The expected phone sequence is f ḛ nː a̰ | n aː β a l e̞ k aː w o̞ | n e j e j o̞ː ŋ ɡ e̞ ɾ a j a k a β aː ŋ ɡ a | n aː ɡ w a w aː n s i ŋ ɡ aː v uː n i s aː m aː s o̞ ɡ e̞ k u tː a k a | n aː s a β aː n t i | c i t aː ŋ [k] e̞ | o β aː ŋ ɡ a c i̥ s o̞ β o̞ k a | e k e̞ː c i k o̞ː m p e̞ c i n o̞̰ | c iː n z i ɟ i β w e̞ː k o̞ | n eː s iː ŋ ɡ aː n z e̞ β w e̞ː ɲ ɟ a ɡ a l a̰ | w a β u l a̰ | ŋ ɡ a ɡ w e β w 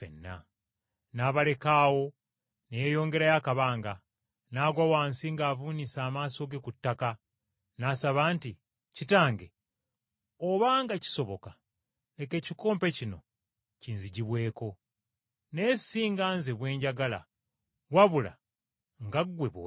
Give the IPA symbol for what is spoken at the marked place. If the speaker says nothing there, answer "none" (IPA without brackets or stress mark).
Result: ɡ